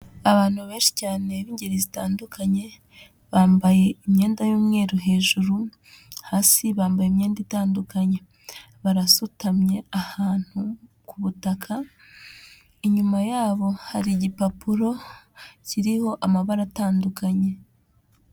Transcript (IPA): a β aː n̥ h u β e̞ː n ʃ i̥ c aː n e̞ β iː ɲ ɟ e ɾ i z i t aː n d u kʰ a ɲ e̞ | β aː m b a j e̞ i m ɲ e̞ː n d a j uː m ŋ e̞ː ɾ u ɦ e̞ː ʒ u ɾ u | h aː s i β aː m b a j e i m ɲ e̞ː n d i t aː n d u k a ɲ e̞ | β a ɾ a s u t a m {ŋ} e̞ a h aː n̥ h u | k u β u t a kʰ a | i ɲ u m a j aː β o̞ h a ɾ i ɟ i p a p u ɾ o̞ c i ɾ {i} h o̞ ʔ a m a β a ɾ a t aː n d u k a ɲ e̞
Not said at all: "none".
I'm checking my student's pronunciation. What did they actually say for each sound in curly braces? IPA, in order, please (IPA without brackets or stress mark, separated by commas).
ɲ, i